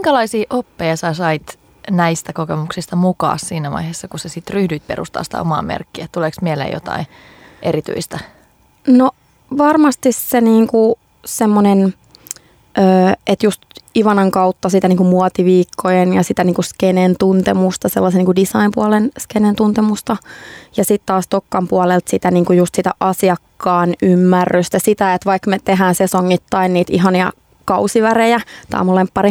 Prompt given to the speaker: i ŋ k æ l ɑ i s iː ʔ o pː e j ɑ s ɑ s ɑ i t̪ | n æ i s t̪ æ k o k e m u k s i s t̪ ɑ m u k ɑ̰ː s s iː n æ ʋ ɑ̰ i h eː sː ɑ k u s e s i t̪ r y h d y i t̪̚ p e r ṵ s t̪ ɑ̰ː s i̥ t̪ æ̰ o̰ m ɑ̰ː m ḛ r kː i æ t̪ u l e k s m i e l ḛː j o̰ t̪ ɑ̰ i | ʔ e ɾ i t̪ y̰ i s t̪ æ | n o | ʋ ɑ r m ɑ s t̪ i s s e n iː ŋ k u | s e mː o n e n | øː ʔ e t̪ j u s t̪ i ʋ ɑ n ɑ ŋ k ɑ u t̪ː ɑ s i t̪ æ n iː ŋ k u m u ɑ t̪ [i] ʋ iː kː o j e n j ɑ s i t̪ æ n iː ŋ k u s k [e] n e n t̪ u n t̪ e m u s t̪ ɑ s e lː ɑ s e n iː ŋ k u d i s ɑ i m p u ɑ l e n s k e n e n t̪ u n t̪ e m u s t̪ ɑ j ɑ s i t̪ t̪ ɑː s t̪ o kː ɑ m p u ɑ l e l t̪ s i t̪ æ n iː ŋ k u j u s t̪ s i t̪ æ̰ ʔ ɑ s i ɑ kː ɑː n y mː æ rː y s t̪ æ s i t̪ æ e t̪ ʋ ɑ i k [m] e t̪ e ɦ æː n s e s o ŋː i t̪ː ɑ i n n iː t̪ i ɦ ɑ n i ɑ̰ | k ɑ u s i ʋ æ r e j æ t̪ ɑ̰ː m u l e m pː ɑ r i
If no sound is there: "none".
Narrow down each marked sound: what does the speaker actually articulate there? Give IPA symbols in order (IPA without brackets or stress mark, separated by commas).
i, e, m